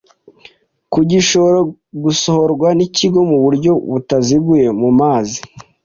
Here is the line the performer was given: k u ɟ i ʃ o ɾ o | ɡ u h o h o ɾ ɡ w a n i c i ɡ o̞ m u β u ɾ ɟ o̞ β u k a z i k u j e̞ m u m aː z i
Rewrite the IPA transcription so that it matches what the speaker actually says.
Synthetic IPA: k u ɟ i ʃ o ɾ o | ɡ u s o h o ɾ ɡ w a n i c i ɡ o̞ m u β u ɾ ɟ o̞ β u t a z i ɡ u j e̞ m u m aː z i